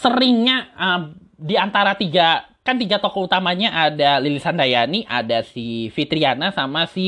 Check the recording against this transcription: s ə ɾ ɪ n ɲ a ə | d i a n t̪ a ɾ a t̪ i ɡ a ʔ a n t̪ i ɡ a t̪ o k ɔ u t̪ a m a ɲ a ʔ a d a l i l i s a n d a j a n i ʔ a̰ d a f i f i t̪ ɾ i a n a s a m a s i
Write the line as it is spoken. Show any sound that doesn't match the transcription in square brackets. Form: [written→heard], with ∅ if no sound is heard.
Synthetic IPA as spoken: s ə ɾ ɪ [n→ŋ] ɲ a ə | d i a n t̪ a ɾ a t̪ i ɡ a [ʔ→k] a n t̪ i ɡ a t̪ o k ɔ u t̪ a m a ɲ a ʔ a d a l i l i s a n d a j a n i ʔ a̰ d a [f→s] i f i t̪ ɾ i a n a s a m a s i